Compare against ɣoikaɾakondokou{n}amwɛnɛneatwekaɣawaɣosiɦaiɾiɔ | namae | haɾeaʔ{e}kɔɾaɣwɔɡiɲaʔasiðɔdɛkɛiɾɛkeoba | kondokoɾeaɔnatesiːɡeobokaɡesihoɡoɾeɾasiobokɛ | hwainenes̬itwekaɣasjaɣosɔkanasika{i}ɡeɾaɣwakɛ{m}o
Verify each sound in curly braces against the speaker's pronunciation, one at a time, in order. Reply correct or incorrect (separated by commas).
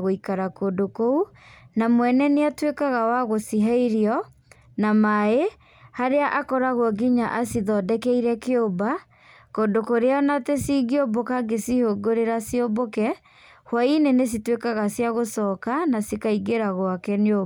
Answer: correct, incorrect, correct, incorrect